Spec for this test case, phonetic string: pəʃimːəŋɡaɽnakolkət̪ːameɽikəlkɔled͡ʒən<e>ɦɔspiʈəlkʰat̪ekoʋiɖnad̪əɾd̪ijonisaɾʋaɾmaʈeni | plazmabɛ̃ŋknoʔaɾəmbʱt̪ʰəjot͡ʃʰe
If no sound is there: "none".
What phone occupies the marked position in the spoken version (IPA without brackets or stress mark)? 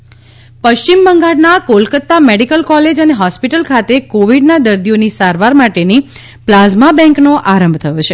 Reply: e